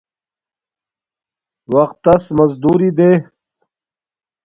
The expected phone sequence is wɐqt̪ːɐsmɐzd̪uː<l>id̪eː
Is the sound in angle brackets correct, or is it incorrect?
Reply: incorrect: ɾ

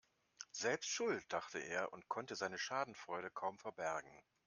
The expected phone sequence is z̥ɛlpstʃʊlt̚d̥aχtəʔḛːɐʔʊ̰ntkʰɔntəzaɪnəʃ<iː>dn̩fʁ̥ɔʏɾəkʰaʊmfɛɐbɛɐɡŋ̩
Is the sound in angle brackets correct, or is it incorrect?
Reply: incorrect: aː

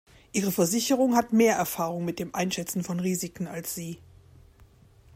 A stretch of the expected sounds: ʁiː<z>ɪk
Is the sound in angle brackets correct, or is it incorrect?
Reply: correct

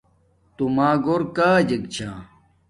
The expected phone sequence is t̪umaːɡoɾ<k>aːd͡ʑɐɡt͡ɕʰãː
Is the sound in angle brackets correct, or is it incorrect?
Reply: correct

